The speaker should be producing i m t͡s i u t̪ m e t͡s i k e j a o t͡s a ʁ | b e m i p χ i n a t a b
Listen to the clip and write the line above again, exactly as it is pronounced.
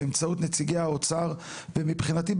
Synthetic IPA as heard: e m t͡s a u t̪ n e t͡s i ɡ e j a o t͡s a ʁ | v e m i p χ i n a t i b